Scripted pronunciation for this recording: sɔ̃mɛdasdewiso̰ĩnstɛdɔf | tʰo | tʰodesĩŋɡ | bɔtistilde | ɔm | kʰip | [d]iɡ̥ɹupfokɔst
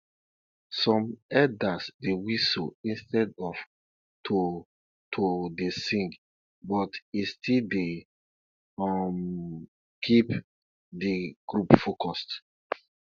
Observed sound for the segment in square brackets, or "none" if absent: d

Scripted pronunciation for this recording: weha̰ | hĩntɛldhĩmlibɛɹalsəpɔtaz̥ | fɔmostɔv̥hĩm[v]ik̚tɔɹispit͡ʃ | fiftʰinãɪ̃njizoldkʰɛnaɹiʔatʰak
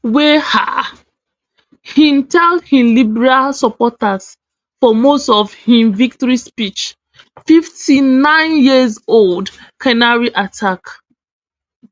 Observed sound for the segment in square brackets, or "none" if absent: v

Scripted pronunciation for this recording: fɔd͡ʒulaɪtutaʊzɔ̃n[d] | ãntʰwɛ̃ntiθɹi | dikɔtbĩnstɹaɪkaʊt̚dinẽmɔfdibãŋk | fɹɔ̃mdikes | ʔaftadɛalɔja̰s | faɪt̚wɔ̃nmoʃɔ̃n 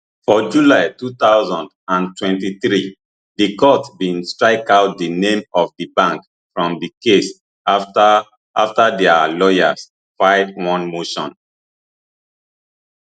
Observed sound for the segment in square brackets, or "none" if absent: d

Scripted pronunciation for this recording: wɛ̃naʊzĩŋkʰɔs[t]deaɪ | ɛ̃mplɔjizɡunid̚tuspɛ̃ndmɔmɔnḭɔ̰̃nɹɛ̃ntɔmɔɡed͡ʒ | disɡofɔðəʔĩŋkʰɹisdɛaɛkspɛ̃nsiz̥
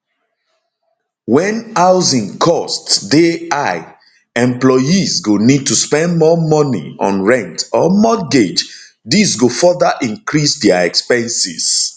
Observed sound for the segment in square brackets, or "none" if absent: t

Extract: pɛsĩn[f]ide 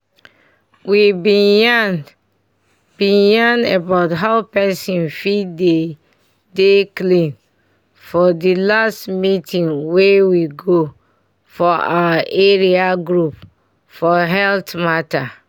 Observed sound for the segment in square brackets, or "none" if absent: f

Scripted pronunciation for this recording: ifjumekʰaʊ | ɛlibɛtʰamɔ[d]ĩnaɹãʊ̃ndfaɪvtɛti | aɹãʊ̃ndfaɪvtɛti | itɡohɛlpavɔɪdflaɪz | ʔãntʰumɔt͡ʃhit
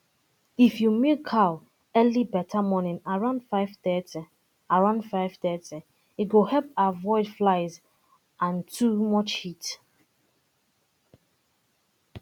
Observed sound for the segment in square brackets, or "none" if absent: n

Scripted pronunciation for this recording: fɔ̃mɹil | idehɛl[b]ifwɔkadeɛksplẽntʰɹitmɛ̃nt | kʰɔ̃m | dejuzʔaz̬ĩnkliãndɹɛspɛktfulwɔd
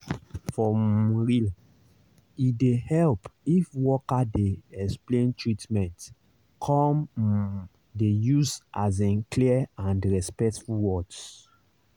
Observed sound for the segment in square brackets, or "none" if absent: p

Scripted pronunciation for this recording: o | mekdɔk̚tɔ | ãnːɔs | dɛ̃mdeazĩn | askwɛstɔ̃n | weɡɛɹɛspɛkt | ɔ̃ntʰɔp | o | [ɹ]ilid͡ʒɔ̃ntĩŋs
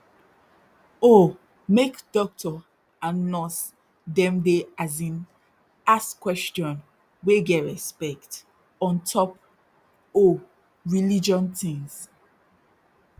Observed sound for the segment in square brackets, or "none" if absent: ɹ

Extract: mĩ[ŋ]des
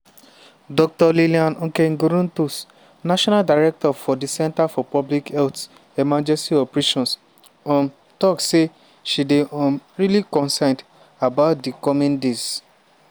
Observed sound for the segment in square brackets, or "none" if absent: n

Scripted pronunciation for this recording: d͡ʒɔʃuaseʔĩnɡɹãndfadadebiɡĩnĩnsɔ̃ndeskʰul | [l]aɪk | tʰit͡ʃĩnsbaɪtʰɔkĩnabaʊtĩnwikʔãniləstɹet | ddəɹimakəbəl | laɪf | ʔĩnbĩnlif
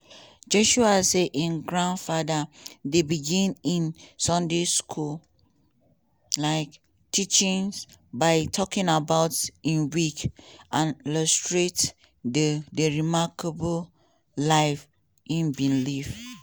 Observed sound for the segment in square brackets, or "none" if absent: l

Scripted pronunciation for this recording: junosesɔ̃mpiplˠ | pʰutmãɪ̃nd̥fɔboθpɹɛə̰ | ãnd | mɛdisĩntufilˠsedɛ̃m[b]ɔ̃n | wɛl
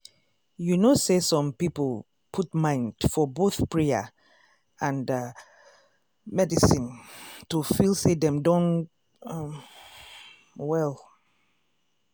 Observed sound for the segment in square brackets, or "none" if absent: d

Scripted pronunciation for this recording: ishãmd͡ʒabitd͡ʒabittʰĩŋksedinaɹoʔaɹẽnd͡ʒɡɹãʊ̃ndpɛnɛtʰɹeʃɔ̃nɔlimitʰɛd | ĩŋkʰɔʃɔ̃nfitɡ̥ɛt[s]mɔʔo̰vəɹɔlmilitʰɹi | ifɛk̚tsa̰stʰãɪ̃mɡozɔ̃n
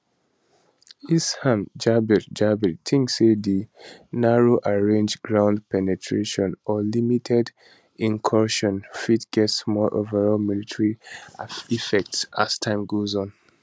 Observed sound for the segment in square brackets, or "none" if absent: s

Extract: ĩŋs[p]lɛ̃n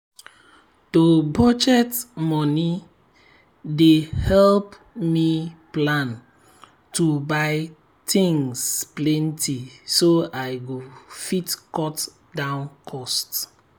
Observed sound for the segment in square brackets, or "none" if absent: p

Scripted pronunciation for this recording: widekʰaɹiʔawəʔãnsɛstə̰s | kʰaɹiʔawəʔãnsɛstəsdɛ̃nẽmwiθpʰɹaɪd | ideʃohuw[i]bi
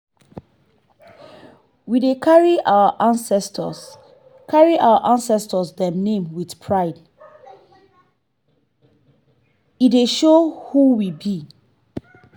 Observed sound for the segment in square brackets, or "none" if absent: i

